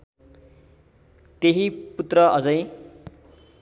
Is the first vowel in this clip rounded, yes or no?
no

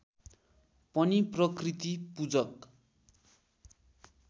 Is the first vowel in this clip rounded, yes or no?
no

